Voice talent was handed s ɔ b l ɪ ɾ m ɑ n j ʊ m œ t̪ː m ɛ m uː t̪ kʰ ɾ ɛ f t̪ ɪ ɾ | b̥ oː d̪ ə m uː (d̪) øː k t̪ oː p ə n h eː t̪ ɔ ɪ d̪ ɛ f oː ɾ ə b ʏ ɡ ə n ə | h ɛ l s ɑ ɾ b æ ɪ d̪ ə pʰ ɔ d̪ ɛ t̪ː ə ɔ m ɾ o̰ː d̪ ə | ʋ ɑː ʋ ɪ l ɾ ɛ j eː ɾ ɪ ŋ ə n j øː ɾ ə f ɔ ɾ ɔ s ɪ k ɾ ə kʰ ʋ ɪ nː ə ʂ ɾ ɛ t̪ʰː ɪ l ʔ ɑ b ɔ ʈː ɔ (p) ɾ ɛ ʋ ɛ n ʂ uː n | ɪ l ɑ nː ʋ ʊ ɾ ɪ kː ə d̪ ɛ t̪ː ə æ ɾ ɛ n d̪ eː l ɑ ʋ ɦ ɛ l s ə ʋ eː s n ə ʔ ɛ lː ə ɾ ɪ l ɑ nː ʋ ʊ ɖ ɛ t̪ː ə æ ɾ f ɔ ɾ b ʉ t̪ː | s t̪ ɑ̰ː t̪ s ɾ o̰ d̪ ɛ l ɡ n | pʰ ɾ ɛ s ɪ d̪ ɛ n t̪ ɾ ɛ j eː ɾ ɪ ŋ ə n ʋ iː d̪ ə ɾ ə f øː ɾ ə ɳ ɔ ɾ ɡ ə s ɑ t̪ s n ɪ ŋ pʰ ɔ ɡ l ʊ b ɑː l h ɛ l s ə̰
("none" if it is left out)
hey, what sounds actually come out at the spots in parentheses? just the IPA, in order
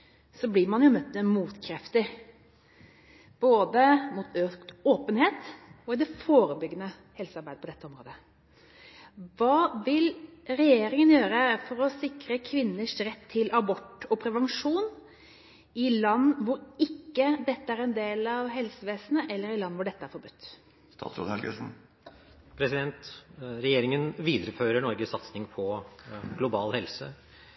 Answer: t̪, pʰ

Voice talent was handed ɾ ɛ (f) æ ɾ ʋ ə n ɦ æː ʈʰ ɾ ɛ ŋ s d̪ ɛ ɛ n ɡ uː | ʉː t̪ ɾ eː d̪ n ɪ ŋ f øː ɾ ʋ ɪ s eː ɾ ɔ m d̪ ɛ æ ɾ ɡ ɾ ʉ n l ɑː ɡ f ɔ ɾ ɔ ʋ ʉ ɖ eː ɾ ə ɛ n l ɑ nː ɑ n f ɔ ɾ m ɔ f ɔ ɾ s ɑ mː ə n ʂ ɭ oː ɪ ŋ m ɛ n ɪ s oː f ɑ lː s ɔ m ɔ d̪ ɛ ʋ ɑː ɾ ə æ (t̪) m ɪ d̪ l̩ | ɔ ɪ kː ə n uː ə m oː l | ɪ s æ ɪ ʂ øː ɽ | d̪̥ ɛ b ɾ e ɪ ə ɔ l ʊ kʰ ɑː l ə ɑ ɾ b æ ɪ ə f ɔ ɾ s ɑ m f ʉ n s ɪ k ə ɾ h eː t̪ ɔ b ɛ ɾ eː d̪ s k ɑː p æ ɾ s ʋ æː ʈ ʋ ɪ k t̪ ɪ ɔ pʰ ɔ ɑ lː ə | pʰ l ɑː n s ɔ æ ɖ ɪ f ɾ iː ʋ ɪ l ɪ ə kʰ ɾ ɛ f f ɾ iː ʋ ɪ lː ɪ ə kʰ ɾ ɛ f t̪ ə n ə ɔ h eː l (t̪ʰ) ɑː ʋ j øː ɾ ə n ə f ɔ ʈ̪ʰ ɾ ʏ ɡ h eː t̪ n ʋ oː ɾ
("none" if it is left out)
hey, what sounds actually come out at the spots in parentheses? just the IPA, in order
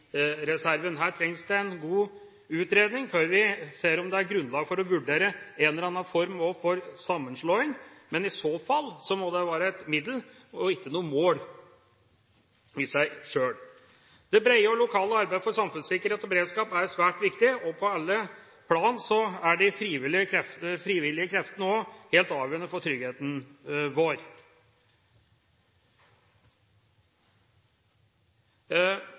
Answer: s, t̪, t̪

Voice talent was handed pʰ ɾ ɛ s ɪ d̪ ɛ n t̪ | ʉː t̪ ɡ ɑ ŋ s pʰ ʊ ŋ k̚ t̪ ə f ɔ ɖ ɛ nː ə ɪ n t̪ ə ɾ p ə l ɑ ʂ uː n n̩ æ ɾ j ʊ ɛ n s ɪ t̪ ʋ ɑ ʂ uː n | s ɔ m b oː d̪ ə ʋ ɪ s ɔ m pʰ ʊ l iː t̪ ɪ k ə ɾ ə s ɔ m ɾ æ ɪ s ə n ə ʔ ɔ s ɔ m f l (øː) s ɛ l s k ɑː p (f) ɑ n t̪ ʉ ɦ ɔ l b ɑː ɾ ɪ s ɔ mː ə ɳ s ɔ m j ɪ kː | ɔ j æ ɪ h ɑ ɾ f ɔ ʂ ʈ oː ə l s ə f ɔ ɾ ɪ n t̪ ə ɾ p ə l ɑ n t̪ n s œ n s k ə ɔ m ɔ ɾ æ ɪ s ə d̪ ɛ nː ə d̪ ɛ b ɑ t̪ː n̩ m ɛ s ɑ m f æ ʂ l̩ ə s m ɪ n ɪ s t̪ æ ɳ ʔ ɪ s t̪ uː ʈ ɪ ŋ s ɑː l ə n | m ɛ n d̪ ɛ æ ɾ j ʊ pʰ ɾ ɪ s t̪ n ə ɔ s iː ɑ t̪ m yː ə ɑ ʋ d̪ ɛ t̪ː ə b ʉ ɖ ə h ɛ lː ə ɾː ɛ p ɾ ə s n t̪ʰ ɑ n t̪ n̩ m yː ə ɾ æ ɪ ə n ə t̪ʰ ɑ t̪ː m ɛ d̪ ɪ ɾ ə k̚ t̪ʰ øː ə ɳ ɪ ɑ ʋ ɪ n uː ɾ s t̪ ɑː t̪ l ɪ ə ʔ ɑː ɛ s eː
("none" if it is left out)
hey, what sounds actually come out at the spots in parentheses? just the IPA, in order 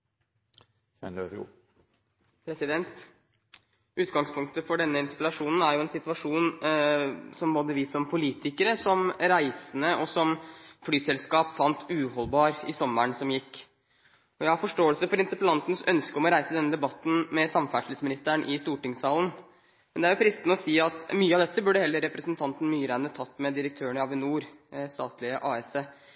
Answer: yː, f

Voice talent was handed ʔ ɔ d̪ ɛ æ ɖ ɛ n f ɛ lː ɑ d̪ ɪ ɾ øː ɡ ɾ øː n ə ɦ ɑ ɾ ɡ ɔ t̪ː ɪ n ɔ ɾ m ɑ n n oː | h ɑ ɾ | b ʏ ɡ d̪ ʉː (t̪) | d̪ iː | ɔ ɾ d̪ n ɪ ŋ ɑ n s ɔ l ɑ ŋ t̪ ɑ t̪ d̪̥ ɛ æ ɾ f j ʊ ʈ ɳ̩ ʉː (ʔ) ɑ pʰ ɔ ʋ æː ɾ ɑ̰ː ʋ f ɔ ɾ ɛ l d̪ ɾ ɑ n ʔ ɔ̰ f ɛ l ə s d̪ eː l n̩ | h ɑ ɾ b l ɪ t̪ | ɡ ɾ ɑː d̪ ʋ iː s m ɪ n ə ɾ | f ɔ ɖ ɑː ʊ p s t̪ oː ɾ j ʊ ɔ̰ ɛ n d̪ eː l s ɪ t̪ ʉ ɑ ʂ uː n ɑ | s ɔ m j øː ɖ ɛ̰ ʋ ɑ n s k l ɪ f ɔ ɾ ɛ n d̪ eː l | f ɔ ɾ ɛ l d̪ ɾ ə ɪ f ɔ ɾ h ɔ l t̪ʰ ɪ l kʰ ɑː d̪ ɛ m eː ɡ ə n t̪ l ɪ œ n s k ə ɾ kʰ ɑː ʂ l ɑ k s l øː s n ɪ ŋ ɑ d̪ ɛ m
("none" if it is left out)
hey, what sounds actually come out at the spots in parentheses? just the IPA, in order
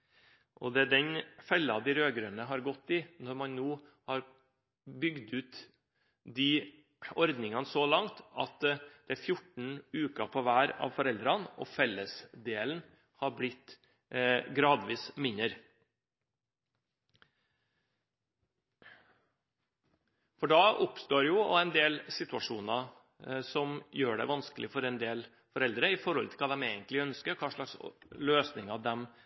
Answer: t̪, k

